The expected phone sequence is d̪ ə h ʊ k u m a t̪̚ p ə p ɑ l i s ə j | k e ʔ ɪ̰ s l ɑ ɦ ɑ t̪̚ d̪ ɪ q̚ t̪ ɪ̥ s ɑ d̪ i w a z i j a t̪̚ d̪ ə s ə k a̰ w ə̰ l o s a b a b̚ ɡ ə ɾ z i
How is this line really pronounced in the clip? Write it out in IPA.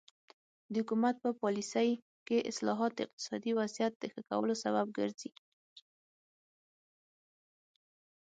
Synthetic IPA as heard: d̪ ə h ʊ k u m a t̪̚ p ə p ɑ l i s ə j | k e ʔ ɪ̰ s l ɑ ɦ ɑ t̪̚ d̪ ɪ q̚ t̪ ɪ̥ s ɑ d̪ i w a z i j a t̪̚ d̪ ə x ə k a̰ w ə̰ l o s a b a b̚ ɡ ə ɾ z i